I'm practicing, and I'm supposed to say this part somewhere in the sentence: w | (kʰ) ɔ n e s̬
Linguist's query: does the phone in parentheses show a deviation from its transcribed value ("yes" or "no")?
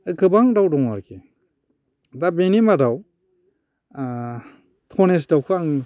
yes